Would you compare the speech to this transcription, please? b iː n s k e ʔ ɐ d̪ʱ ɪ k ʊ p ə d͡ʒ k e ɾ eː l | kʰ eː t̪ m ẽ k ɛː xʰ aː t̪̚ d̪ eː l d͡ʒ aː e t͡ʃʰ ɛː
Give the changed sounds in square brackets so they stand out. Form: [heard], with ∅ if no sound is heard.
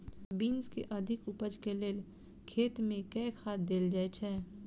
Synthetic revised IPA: b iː n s k e ʔ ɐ d̪ʱ ɪ k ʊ p ə d͡ʒ k e [l] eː l | kʰ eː t̪ m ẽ k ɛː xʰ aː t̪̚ d̪ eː l d͡ʒ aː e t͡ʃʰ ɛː